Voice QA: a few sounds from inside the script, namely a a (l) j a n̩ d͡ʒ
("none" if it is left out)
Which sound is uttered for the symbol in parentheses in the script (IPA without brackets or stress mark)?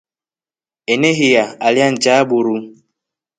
l